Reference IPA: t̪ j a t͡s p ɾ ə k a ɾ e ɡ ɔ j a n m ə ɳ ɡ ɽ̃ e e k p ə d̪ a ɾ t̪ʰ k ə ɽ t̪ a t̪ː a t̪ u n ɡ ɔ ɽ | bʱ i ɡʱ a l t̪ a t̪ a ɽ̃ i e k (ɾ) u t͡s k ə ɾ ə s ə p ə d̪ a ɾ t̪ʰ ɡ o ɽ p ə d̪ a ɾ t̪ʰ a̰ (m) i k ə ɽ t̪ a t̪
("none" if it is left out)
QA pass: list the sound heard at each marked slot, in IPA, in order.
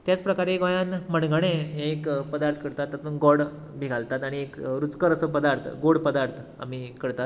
ɾ, m

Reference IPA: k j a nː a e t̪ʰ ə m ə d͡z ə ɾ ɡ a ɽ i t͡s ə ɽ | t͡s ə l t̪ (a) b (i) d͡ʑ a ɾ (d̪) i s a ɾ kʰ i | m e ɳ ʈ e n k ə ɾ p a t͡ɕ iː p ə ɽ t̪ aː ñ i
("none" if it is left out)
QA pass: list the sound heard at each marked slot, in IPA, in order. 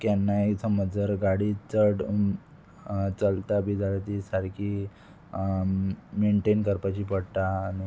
a, i, t̪

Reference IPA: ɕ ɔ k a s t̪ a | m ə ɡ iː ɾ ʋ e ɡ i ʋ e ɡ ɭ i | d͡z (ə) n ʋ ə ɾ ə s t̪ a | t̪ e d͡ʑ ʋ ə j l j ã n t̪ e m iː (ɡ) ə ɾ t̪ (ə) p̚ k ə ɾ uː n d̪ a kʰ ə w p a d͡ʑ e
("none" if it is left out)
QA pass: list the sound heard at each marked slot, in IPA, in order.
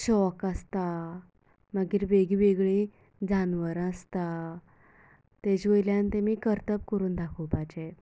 a, k, ə

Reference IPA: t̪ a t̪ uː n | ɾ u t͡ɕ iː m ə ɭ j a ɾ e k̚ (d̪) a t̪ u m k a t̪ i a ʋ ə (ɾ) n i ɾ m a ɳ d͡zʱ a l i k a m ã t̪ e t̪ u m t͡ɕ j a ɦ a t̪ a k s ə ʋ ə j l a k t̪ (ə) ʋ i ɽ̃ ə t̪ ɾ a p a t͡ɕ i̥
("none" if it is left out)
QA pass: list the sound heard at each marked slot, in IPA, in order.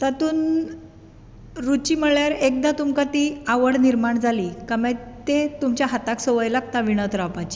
d̪, ɽ, a

